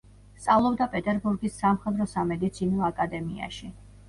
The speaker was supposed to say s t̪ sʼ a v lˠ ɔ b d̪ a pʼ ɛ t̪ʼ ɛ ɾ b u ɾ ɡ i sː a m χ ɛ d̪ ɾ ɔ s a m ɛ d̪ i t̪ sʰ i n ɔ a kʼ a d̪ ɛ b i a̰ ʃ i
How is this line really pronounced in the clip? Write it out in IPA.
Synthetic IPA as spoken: s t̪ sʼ a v lˠ ɔ b d̪ a pʼ ɛ t̪ʼ ɛ ɾ b u ɾ ɡ i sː a m χ ɛ d̪ ɾ ɔ s a m ɛ d̪ i t̪ sʰ i n ɔ a kʼ a d̪ ɛ m i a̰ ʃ i

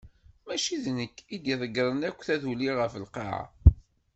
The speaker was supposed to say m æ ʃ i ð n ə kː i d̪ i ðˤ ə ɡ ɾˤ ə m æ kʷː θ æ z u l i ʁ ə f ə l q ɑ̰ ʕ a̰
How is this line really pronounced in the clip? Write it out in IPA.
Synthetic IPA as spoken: m æ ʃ i ð n ə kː i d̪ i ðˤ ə ɡ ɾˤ ə n æ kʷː θ æ ð u l i ʁ ə f ə l q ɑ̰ ʕ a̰

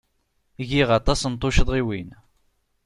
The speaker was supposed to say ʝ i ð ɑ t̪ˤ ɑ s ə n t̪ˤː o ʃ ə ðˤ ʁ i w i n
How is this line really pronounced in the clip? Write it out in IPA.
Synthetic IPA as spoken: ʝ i ʁ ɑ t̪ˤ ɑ s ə n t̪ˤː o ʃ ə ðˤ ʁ i w i n

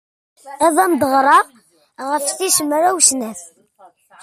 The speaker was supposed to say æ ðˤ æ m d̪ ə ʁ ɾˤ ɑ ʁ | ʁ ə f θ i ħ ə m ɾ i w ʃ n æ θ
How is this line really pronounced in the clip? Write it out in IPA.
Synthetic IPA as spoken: æ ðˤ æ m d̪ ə ʁ ɾˤ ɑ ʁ | ʁ ə f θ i ʃ ə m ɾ æ w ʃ n æ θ

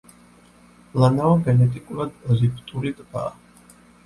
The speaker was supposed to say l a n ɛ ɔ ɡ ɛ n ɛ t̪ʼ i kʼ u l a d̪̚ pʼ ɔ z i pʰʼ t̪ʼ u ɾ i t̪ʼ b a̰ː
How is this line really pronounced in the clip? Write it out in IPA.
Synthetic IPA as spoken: l a n a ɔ ɡ ɛ n ɛ t̪ʼ i kʼ u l a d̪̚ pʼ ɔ z i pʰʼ t̪ʼ u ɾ i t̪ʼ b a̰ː

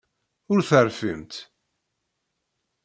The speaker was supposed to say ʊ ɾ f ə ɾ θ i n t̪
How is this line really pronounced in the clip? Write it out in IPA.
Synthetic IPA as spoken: ʊ ɾ θ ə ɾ f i m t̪

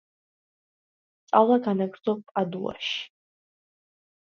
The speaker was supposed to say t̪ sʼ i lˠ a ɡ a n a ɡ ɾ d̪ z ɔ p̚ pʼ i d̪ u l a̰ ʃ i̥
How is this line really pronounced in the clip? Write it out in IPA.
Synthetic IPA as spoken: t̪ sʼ a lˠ a ɡ a n a ɡ ɾ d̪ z ɔ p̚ pʼ a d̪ u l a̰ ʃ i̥

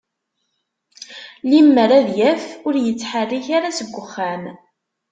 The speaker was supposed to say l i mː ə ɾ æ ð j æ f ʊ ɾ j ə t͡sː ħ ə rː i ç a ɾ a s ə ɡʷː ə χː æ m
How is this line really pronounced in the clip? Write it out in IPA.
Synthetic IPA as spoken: l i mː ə ɾ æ ð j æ f ʊ ɾ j ə t͡sː ħ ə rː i ç a ɾ a s ə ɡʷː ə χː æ m

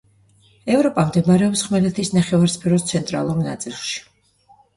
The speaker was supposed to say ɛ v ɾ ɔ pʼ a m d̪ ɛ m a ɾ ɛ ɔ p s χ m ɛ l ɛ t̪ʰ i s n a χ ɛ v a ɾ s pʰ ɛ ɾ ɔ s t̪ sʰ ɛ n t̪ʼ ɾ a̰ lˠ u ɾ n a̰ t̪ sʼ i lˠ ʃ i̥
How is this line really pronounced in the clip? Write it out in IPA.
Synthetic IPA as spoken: ɛ v ɾ ɔ pʼ a m d̪ ɛ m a ɾ ɛ ɔ p s χ m ɛ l ɛ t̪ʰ i s n a χ ɛ v a ɾ s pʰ ɛ ɾ ɔ s t̪ sʰ ɛ n t̪ʼ ɾ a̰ lˠ u ɾ n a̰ t̪ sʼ i lˠ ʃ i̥

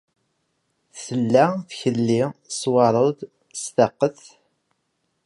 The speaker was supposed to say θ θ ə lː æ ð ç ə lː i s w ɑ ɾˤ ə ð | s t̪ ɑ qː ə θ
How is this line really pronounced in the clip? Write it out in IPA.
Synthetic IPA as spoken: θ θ ə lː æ θ ç ə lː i s w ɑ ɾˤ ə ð | s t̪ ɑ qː ə θ

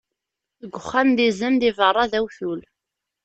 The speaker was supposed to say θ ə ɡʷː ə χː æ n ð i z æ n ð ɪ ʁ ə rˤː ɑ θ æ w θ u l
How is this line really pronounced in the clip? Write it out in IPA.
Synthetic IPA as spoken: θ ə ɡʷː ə χː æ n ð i z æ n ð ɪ v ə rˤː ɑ ð æ w θ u l

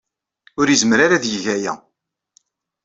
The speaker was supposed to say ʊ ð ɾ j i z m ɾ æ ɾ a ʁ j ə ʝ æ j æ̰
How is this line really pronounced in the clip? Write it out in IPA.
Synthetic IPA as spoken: ʊ ɾ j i z m ɾ a ɾ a ð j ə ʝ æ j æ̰

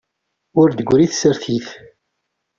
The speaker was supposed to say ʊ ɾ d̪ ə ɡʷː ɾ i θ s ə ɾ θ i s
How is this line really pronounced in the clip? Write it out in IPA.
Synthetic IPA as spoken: ʊ ɾ d̪ ə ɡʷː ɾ i θ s ə ɾ θ i θ

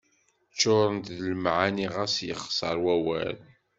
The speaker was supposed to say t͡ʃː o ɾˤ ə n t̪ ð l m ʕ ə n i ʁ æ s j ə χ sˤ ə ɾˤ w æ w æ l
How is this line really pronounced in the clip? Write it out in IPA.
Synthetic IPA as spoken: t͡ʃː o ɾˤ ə n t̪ ð l m ʕ a n i ʁ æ s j ə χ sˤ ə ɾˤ w æ w æ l

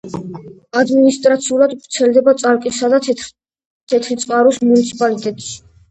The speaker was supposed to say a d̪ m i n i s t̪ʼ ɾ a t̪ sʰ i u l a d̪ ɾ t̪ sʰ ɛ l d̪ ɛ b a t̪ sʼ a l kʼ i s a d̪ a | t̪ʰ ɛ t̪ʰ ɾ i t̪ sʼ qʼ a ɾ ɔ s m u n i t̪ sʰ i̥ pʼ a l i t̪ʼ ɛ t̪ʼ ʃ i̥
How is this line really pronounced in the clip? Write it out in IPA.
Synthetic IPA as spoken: a d̪ m i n i s t̪ʼ ɾ a t̪ sʰ i u l a d̪ ɾ t̪ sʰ ɛ l d̪ ɛ b a t̪ sʼ a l kʼ i s a d̪ a | t̪ʰ ɛ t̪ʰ ɾ i t̪ sʼ qʼ a ɾ ɔ s m u n i t̪ sʰ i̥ pʼ a l i t̪ʼ ɛ t̪ʼ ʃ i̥

